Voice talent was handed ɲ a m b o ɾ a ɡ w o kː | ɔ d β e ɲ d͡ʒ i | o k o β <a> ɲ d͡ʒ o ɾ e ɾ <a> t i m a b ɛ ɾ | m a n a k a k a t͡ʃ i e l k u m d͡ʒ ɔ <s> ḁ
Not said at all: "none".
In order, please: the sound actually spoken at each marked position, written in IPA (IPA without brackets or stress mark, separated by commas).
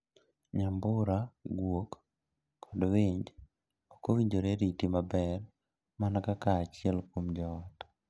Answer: i, i, t